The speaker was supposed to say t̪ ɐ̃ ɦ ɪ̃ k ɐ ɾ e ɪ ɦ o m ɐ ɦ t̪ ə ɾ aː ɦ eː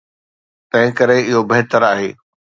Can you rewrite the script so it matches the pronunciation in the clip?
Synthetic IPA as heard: t̪ ɐ̃ ɦ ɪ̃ k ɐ ɾ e ɪ ɦ o b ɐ ɦ t̪ ə ɾ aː ɦ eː